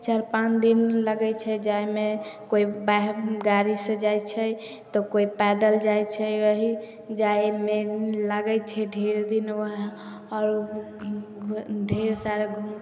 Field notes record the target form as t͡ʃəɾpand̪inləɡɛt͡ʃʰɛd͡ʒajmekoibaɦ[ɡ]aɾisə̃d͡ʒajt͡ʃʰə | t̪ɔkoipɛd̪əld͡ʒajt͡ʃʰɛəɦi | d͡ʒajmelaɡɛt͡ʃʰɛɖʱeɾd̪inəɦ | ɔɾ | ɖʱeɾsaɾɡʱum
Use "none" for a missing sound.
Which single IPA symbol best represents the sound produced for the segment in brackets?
ɡ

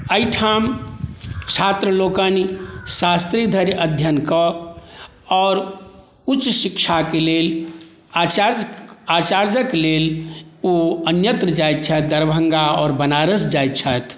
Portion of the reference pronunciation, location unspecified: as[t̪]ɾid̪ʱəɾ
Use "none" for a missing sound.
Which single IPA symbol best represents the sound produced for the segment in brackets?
t̪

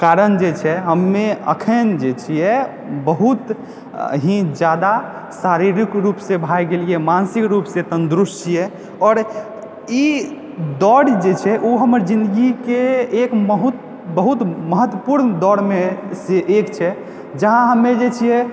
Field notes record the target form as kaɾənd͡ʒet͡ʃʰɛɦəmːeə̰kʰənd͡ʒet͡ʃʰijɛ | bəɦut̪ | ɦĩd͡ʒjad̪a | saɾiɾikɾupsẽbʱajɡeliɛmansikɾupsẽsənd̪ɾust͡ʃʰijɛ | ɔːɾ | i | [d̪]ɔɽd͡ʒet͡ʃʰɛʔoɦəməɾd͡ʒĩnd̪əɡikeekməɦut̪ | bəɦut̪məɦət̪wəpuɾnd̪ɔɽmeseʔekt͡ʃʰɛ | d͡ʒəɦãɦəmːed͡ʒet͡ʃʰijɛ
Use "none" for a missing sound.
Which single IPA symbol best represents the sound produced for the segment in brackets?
d̪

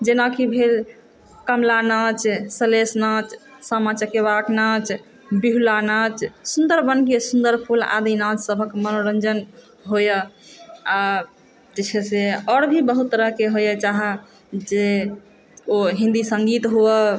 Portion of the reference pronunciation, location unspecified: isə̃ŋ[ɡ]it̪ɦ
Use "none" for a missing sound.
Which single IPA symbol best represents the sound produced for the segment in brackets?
ɡ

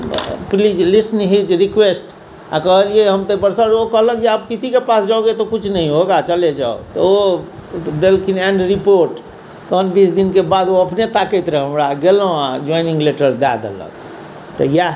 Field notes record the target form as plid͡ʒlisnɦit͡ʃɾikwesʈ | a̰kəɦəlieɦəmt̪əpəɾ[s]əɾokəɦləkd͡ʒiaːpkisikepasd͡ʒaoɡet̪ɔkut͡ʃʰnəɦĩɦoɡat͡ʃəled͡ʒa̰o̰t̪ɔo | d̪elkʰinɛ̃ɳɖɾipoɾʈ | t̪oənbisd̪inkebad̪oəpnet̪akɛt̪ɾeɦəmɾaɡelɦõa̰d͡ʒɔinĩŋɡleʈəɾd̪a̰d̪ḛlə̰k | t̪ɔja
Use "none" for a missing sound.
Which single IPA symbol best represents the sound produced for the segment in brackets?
s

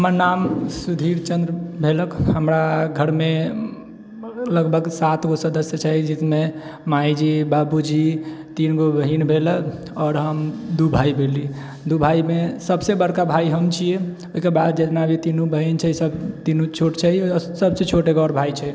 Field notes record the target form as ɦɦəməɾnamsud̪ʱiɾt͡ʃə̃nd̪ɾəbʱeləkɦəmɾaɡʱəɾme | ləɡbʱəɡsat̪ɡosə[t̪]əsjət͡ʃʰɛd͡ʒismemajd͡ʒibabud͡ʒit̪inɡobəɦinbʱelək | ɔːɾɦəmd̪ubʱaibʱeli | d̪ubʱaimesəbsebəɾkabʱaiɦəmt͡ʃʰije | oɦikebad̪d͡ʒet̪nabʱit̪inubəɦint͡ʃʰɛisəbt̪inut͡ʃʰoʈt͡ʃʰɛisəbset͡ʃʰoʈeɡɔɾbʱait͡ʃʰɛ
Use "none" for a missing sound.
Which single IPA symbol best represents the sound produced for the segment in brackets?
d̪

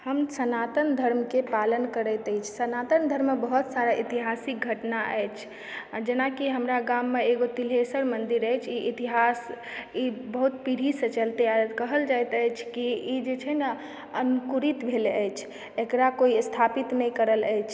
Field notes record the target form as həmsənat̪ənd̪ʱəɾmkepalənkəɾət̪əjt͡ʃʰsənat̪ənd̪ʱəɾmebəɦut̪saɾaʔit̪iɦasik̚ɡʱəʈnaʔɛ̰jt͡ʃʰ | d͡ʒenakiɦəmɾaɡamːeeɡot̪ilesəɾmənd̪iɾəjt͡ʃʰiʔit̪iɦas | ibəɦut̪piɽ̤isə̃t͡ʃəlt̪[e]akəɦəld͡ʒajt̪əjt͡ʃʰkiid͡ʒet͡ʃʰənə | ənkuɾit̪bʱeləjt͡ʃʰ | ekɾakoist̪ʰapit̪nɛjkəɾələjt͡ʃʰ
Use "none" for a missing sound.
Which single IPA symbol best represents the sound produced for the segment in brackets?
e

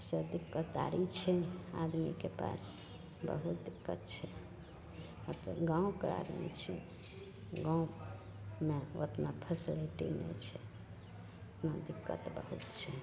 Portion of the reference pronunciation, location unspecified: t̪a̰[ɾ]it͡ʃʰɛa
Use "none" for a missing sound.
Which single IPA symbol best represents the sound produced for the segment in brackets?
ɾ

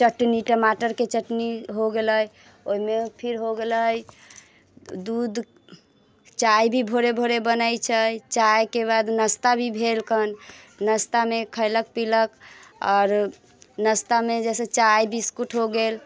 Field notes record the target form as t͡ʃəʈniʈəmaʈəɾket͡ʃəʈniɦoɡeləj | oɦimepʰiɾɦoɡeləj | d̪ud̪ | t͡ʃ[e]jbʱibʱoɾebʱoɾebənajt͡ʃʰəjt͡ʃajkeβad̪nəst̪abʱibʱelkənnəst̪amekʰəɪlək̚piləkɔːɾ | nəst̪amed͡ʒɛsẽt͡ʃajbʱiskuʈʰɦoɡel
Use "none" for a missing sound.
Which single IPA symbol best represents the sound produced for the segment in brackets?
a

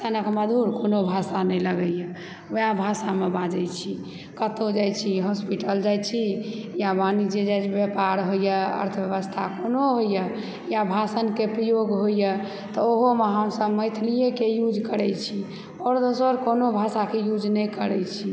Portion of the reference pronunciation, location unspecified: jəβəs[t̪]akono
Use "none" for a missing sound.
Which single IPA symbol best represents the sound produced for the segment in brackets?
t̪ʰ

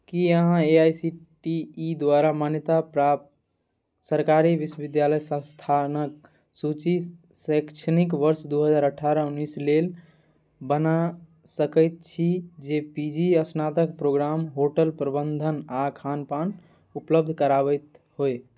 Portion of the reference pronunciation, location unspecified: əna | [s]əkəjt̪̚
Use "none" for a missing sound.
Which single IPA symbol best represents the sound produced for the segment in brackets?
s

